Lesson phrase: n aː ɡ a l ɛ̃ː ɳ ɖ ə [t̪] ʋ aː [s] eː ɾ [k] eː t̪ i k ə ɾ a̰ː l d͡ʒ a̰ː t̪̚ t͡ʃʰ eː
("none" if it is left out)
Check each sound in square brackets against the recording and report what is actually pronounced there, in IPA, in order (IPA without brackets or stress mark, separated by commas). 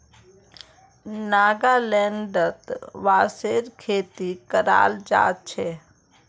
t̪, s, kʰ